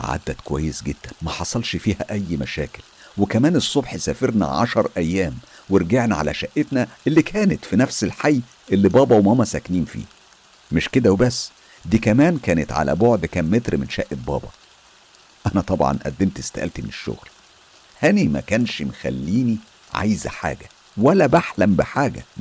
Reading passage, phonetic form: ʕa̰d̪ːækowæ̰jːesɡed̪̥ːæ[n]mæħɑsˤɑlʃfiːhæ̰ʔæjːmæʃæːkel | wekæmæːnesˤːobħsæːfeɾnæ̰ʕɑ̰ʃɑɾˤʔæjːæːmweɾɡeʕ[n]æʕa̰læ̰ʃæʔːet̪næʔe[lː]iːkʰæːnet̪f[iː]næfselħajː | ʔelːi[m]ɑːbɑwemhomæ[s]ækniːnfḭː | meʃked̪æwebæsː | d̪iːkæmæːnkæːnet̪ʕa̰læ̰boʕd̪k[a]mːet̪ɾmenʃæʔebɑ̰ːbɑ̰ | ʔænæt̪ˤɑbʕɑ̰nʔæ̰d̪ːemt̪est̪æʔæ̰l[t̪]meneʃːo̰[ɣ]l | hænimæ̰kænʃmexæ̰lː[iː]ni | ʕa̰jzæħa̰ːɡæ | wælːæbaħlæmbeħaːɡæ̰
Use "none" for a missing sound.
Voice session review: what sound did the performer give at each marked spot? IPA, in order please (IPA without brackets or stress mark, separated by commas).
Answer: n, n, lː, i, b, s, æ, t̪, ɣ, iː